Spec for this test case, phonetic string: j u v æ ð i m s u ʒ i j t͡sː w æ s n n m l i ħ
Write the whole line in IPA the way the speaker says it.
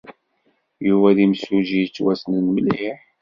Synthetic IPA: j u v æ ð i m s u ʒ i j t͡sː w æ s n n m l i ħ